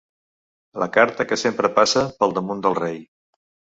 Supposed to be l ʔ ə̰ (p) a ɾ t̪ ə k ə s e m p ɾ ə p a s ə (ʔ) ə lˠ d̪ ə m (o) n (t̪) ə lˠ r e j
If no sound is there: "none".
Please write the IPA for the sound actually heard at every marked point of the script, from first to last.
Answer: k, p, u, d̪

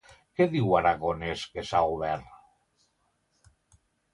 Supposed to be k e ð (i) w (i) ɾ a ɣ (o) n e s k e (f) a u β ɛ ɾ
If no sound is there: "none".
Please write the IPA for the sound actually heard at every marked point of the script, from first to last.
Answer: i, a, o, s

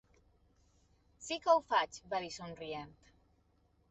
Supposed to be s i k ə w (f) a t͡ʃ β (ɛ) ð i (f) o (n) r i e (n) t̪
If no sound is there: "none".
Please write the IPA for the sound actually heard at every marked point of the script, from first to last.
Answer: f, a, s, n, n

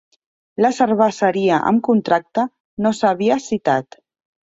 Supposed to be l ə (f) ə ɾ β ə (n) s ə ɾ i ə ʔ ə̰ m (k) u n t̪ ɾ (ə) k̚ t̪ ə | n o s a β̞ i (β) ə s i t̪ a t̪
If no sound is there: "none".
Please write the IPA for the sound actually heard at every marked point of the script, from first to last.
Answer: s, none, k, a, none

